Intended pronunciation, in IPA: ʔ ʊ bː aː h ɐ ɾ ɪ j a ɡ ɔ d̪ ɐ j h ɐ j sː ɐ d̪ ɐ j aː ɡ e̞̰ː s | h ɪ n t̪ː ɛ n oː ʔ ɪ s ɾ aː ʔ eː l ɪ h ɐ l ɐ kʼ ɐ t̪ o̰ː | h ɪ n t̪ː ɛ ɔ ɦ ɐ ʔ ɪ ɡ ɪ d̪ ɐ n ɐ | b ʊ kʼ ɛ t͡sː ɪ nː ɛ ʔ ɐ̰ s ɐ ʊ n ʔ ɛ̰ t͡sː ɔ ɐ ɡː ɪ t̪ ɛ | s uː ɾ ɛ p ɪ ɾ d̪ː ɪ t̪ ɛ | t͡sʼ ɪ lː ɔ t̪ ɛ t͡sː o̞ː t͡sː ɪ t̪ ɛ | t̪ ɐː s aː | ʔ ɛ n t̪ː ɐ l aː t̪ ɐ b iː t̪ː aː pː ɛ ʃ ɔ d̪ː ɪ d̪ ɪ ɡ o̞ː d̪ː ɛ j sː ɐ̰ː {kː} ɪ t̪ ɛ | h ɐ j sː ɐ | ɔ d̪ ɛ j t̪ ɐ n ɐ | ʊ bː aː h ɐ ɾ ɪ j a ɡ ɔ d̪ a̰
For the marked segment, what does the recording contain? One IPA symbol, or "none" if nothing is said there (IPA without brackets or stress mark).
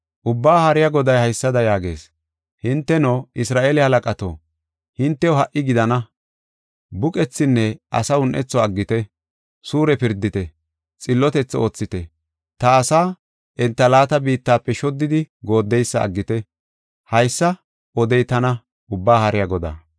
ɡː